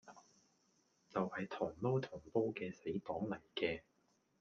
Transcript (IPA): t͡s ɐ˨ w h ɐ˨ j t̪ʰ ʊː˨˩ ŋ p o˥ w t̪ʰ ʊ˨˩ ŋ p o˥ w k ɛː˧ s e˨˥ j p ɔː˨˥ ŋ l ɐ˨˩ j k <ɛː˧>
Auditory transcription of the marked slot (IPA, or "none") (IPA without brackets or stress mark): ɛː˧